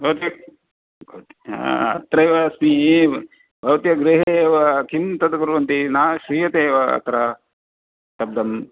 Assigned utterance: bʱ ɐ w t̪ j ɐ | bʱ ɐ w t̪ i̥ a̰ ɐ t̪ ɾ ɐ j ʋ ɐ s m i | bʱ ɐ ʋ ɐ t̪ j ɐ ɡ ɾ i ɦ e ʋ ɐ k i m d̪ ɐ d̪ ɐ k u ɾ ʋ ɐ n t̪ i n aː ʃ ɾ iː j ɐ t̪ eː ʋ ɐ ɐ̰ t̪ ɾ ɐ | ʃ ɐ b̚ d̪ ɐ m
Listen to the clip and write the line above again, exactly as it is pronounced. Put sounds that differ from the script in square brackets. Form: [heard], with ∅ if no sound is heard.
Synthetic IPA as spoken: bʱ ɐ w t̪ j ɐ | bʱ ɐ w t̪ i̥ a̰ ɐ t̪ ɾ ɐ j ʋ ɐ s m i | bʱ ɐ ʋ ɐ t̪ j ɐ ɡ ɾ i ɦ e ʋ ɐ k i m [t̪] ɐ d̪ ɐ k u ɾ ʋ ɐ n t̪ i n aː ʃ ɾ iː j ɐ t̪ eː ʋ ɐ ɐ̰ t̪ ɾ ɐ | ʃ ɐ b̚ d̪ ɐ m